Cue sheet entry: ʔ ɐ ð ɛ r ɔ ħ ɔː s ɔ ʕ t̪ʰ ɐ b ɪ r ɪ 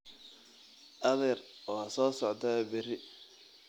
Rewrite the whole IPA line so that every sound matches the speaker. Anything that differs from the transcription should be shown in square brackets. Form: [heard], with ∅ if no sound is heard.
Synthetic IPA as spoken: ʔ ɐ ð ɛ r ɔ [s] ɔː s ɔ ʕ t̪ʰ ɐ b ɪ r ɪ